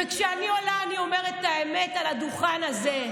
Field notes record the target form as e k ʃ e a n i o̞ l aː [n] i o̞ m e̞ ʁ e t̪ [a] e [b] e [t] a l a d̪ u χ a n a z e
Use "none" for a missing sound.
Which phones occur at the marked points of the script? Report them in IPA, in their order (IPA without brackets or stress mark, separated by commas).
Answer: n, a, m, t